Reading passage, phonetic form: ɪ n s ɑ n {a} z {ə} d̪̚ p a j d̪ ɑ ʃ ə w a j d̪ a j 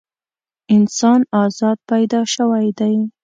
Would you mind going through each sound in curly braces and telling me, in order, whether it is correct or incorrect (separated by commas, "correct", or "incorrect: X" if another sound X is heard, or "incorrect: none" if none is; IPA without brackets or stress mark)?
incorrect: ɑ, incorrect: ɑ